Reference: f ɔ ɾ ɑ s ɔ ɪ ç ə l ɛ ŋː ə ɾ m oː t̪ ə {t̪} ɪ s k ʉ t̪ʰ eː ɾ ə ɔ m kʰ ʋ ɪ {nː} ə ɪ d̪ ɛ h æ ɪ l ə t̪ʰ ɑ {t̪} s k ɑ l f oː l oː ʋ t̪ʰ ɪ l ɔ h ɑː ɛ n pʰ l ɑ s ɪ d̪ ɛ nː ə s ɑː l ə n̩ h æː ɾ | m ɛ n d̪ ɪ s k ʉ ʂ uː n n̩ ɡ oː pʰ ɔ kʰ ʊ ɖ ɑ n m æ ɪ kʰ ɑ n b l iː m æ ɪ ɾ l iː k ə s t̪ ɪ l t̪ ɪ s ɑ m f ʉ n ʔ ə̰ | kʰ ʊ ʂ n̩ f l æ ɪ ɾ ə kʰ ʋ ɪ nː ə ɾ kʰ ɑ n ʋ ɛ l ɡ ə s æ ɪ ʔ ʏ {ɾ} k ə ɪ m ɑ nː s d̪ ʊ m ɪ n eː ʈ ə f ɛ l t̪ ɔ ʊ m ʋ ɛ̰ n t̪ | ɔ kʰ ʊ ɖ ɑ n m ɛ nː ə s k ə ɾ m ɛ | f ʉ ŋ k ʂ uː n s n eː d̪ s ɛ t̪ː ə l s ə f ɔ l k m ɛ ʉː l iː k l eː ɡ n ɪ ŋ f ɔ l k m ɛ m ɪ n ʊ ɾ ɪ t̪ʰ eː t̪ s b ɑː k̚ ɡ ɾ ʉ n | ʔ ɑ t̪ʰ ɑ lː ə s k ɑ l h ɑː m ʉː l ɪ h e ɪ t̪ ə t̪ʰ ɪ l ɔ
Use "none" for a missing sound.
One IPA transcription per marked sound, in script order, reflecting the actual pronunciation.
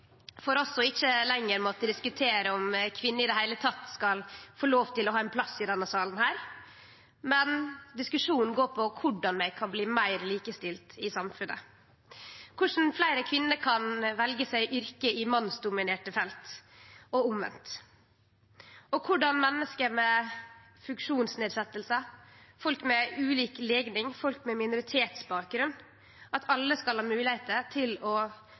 d̪, nː, t̪, ɾ

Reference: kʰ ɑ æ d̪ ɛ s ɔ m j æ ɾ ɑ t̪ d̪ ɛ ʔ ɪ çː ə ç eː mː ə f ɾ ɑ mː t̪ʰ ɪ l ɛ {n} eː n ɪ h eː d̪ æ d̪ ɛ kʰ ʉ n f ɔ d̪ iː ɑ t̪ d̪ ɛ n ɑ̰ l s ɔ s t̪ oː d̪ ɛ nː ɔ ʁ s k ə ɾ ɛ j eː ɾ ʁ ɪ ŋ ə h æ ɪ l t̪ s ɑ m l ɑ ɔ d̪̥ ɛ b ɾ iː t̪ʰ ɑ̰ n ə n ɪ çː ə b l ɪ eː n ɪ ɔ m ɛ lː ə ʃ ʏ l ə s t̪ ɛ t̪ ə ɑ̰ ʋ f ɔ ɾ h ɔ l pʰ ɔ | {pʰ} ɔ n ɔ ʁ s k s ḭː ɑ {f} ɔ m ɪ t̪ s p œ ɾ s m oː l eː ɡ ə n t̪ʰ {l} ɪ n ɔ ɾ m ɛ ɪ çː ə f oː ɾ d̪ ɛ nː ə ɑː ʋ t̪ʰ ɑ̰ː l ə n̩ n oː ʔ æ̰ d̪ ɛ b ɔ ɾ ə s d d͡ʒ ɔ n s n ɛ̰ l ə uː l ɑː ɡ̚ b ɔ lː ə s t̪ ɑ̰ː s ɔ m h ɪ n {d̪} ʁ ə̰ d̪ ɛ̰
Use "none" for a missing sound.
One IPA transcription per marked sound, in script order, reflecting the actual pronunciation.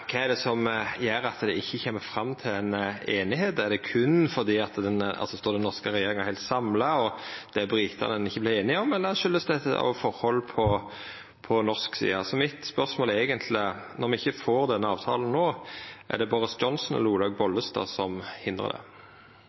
n, pʰ, s, l, d̪

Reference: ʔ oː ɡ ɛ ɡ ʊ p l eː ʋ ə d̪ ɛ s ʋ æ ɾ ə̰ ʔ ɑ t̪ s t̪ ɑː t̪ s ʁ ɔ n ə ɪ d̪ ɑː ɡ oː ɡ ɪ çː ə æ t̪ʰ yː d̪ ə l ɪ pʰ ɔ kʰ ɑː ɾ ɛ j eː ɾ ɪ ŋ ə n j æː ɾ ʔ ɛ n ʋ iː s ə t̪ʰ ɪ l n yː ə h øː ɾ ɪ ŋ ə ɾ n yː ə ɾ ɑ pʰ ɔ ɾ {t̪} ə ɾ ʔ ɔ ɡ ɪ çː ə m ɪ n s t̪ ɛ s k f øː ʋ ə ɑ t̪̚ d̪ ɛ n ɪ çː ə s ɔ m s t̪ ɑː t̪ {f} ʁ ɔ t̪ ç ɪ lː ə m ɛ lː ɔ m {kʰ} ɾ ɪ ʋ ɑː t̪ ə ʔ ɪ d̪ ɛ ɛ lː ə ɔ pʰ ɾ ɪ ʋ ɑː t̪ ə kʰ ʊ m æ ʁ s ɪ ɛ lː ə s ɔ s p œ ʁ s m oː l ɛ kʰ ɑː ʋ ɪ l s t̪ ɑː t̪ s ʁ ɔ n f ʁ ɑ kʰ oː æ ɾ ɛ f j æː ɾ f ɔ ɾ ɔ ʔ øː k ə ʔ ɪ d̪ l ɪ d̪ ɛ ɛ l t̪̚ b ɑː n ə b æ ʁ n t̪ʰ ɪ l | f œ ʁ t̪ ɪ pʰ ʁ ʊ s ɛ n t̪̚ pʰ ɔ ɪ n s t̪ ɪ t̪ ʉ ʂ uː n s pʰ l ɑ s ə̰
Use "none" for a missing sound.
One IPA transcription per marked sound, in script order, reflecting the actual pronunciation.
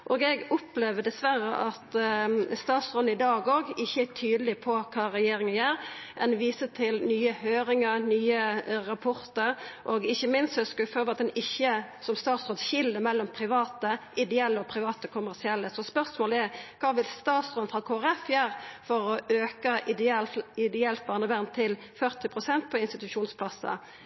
t̪, s, pʰ

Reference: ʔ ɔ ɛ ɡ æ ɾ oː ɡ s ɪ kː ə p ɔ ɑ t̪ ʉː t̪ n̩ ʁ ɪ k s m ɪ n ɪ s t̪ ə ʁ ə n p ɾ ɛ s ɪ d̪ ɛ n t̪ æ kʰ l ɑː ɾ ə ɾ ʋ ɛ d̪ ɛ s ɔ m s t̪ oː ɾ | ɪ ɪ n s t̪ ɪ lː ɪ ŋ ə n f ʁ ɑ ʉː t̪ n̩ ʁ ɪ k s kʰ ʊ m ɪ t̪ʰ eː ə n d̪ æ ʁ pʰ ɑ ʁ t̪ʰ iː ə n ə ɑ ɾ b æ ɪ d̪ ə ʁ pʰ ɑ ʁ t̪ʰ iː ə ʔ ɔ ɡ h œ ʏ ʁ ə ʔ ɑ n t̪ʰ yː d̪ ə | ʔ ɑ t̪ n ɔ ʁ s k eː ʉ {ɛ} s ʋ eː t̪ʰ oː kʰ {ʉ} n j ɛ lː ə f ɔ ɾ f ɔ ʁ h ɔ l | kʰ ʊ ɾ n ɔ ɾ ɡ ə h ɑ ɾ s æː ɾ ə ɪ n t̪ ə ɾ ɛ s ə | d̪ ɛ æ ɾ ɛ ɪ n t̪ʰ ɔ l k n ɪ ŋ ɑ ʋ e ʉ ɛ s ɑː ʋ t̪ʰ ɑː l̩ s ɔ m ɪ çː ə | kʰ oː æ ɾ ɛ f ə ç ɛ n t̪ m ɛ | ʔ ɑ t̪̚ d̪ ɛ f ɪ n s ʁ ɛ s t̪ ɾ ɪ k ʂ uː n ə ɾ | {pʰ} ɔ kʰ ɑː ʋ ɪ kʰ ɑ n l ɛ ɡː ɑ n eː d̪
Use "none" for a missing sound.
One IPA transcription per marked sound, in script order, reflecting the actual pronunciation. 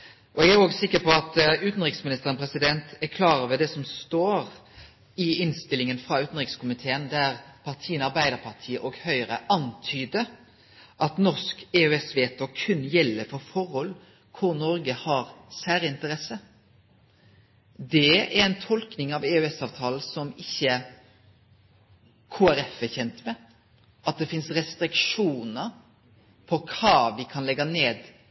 ɛ, ʉ, pʰ

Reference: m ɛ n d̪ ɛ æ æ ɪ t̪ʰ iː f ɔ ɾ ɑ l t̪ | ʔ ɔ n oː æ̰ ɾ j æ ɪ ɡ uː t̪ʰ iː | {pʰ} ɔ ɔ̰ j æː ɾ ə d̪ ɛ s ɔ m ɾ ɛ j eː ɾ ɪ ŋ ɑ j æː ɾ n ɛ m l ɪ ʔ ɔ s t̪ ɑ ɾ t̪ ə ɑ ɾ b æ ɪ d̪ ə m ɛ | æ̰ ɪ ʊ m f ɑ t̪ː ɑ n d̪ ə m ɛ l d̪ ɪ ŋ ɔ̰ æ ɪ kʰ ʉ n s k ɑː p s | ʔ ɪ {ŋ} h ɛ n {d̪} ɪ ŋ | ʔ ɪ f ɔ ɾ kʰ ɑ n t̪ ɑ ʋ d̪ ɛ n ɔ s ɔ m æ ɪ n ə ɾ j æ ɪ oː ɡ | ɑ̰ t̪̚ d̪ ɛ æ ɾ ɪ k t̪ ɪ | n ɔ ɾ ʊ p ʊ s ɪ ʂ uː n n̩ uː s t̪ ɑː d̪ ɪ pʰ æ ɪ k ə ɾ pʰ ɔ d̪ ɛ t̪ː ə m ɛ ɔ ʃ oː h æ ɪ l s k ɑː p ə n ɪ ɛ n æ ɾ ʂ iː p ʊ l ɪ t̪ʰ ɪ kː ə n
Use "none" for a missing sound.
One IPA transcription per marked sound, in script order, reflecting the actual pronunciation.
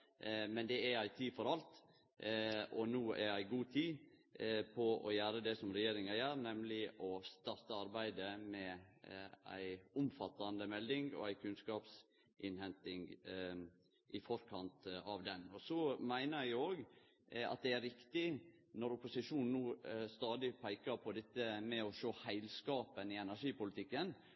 pʰ, n, t̪

